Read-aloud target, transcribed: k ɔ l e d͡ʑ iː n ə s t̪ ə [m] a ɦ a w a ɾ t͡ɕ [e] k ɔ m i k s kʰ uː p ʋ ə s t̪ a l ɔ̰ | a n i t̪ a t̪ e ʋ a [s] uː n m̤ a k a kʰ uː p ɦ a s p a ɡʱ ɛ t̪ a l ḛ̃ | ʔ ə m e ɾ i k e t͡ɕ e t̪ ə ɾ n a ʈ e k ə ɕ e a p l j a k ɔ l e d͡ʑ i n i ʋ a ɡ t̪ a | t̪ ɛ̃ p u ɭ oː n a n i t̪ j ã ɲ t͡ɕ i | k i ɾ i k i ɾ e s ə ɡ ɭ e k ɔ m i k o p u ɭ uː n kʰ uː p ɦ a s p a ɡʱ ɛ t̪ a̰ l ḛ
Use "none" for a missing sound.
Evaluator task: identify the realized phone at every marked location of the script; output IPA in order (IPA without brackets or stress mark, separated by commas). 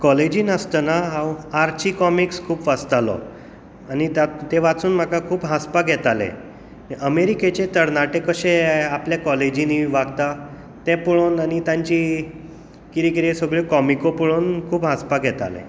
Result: n, i, t͡s